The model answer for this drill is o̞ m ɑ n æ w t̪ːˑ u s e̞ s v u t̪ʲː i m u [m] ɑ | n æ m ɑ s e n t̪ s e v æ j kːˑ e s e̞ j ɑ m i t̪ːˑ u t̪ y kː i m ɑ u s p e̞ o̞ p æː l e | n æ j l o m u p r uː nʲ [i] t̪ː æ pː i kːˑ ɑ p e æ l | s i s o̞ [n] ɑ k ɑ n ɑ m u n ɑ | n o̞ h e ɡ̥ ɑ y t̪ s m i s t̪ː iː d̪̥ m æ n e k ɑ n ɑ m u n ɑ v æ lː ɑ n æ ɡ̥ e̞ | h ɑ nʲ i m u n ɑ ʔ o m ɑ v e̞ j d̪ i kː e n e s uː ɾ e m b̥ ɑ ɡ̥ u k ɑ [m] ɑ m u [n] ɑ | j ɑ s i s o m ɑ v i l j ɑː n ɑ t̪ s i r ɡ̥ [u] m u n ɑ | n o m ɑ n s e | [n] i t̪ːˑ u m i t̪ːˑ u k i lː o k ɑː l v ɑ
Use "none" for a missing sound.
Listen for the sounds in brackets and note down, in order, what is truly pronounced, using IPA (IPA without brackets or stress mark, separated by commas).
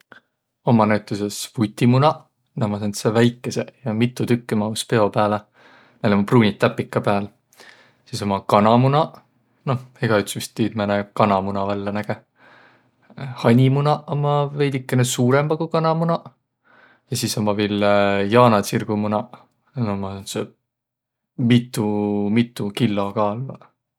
n, i, m, n, n, u, m